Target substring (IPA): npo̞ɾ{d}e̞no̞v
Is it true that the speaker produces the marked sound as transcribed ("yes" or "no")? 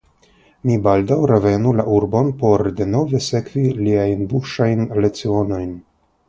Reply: yes